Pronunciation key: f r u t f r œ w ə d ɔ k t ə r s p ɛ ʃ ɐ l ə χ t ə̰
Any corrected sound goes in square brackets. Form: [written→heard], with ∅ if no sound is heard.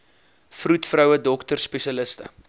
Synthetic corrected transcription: f r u t f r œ w ə d ɔ k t ə r s p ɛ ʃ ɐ l ə [χ→s] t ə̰